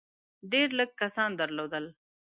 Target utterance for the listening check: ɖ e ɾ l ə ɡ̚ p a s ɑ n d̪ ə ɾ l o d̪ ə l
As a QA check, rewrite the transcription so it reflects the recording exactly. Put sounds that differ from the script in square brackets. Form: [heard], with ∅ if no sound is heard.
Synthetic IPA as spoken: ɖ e ɾ l ə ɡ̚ [k] a s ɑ n d̪ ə ɾ l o d̪ ə l